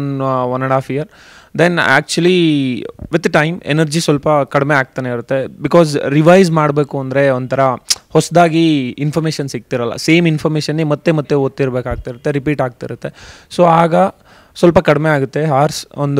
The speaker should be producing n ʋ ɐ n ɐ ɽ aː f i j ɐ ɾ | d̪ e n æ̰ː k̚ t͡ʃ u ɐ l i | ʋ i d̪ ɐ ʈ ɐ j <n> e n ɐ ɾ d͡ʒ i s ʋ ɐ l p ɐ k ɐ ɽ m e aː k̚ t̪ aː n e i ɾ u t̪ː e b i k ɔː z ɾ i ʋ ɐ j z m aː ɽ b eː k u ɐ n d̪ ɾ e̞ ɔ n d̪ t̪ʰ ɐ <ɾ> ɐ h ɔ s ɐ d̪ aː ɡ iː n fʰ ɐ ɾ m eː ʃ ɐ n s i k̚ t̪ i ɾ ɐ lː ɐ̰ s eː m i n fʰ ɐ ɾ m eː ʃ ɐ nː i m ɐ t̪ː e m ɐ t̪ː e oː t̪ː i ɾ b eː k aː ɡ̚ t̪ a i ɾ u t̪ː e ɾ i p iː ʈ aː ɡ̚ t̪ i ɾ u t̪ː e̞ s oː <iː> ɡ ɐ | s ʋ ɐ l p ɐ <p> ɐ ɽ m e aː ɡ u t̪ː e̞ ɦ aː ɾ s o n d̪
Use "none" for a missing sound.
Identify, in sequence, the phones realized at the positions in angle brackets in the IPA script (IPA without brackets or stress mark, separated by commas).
m, ɾ, aː, k